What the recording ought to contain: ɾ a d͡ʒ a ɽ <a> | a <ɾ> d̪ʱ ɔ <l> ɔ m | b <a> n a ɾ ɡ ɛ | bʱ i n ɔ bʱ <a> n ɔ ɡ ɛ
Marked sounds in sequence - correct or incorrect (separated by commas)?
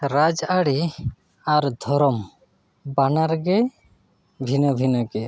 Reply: incorrect, correct, incorrect, correct, incorrect